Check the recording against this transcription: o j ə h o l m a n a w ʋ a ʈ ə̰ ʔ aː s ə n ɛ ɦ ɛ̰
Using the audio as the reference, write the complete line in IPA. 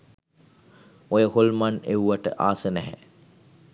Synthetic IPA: o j ə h o l m a n e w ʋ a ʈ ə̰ ʔ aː s ə n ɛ ɦ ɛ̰